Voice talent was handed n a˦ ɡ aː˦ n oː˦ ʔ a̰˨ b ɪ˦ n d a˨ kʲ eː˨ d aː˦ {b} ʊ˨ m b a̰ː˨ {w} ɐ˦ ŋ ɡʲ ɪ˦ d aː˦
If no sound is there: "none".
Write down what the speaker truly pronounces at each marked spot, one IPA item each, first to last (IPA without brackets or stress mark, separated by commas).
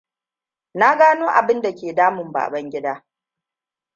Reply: m, b